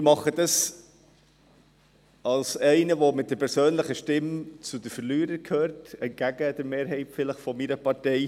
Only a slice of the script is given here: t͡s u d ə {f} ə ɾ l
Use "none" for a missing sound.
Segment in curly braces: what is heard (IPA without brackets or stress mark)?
f